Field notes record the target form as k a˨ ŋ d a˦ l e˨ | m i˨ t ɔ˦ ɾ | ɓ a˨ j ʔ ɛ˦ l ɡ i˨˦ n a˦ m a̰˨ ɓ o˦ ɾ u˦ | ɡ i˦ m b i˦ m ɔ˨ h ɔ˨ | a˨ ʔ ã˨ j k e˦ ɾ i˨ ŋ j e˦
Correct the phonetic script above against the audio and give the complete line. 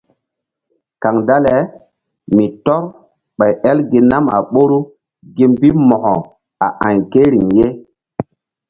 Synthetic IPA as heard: k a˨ ŋ d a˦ l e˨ | m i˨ t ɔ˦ ɾ | ɓ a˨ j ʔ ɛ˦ l ɡ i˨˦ n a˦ m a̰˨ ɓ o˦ ɾ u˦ | ɡ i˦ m b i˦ m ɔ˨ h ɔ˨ | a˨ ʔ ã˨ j k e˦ ɾ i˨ ŋ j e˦